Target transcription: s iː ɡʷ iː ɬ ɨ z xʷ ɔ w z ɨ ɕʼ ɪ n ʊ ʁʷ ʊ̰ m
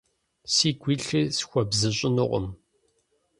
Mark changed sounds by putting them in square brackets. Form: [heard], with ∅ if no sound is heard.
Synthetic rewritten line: s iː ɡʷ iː ɬ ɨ [s] xʷ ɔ [b] z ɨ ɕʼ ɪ n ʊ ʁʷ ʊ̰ m

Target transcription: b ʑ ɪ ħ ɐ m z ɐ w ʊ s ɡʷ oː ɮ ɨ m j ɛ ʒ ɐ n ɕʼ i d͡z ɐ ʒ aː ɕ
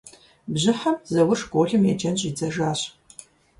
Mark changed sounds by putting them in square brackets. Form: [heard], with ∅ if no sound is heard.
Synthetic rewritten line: b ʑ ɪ ħ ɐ m z ɐ w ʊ [ʂ] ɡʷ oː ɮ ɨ m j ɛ [d͡ʒ] ɐ n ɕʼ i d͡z ɐ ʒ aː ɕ

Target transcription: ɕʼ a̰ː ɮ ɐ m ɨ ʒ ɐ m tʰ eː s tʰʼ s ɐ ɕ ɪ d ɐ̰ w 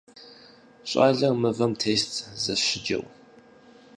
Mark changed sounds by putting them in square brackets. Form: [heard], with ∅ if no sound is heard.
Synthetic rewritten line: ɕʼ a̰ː ɮ ɐ m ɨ [v] ɐ m tʰ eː s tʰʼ [z] ɐ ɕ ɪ [d͡ʒ] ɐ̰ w

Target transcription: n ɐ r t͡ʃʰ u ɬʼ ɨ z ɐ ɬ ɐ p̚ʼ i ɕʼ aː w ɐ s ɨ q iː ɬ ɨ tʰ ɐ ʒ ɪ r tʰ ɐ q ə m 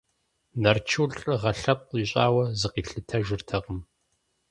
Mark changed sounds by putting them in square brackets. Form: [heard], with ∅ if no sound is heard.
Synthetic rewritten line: n ɐ r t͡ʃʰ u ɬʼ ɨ [ʁ] ɐ ɬ ɐ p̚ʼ i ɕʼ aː w ɐ [z] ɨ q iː ɬ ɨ tʰ ɐ ʒ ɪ r tʰ ɐ q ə m

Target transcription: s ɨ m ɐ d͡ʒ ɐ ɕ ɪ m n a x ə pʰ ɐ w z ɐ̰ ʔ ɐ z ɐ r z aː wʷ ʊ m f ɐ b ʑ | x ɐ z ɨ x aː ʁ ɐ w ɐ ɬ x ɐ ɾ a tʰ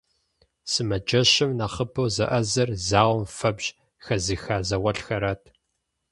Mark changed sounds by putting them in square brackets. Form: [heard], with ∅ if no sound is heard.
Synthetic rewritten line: s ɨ m ɐ d͡ʒ ɐ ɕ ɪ m n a [χ] ə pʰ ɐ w z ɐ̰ ʔ ɐ z ɐ r z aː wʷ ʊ m f ɐ b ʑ | x ɐ z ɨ x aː [z] ɐ w ɐ ɬ x ɐ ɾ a tʰ

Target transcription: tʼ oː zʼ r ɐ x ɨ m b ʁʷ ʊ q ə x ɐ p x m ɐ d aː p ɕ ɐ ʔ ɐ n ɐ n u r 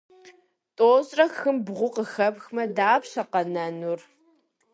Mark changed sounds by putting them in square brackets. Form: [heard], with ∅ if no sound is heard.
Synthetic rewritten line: tʼ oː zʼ r ɐ x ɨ m b ʁʷ ʊ q ə x ɐ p x m ɐ d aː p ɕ ɐ [q] ɐ n ɐ n u r

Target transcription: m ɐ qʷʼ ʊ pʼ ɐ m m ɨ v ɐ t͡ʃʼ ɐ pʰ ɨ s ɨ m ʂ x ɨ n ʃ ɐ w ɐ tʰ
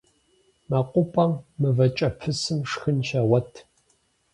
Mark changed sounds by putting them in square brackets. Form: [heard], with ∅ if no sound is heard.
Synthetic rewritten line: m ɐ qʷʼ ʊ pʼ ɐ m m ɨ v ɐ t͡ʃʼ ɐ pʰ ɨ s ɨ m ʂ x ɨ n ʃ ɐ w ɐ tʰ

